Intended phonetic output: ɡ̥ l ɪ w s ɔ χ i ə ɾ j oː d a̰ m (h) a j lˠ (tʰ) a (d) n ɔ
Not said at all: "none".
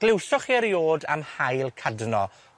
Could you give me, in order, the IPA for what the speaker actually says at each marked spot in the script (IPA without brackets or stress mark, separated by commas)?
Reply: h, kʰ, d